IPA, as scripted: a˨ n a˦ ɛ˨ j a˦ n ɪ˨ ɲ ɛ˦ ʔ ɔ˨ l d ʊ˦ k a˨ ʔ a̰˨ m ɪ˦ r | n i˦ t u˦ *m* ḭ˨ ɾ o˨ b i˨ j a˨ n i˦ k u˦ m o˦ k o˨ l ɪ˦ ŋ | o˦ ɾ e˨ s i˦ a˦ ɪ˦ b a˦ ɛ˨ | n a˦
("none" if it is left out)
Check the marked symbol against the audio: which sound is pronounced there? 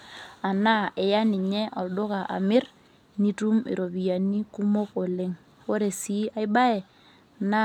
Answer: m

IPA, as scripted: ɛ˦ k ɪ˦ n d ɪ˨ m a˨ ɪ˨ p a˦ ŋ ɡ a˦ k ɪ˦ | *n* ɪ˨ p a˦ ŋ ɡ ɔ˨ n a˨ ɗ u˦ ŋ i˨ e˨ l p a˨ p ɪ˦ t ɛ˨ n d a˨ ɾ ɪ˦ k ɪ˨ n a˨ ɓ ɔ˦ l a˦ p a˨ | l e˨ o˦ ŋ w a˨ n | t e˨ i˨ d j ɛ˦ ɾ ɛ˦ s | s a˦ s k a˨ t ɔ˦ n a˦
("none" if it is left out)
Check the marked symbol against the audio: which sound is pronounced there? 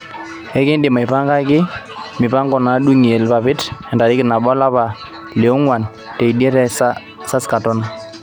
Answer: m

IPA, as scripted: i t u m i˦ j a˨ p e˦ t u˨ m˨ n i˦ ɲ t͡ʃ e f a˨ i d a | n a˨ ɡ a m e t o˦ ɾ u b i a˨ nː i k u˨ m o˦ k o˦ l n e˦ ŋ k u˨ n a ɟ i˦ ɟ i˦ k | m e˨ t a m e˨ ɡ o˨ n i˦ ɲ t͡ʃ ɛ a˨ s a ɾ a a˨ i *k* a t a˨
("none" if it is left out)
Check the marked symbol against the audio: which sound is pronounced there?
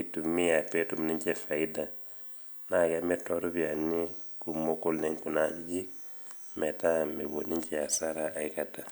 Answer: k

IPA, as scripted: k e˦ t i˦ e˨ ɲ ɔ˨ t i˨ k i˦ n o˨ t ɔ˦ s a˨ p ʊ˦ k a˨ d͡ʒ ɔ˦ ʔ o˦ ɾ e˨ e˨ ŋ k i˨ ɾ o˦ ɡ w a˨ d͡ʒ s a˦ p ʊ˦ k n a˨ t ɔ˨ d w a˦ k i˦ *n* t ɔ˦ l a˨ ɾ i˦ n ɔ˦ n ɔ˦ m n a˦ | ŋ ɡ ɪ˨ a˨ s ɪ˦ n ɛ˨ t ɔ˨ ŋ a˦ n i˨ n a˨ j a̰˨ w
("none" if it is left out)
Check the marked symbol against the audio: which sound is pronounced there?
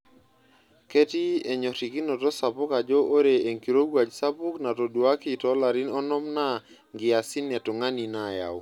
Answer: none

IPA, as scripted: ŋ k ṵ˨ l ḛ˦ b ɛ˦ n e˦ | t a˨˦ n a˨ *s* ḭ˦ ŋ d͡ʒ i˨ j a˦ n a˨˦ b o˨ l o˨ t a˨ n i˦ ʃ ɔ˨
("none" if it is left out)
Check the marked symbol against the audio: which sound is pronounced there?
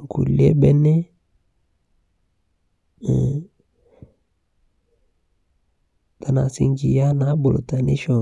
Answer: s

